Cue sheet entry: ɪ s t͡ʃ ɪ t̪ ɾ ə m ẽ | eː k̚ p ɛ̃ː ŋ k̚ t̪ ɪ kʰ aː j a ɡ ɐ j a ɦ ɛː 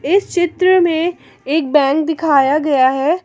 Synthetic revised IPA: ɪ s t͡ʃ ɪ t̪ ɾ ə m ẽ | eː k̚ b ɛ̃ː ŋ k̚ d̪ ɪ kʰ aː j a ɡ ɐ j a ɦ ɛː